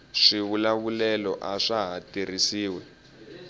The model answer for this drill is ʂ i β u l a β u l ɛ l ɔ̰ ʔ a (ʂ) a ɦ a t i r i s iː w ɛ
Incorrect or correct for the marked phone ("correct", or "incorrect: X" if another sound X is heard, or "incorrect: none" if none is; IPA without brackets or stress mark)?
correct